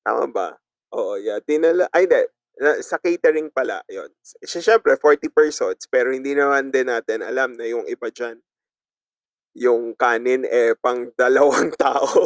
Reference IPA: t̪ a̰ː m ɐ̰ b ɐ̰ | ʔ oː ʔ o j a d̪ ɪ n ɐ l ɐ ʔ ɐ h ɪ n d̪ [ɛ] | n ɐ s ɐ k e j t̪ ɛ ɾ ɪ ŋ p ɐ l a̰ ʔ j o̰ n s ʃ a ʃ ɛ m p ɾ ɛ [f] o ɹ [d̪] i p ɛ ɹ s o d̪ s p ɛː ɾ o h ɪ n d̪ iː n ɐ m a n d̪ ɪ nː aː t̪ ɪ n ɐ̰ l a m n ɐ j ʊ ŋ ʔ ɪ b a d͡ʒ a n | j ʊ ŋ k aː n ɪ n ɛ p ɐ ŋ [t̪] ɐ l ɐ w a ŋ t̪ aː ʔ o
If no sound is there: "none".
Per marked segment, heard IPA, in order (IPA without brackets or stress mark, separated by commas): ɛ, f, t̪, d̪